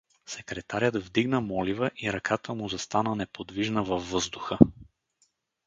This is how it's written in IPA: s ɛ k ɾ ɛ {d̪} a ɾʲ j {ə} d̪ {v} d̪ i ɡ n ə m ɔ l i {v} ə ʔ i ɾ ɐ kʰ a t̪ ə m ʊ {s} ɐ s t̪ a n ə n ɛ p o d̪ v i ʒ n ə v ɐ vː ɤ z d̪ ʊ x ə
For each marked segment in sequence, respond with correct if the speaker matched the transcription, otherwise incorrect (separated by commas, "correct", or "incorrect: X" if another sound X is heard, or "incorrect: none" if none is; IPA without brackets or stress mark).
incorrect: t̪, correct, correct, correct, incorrect: z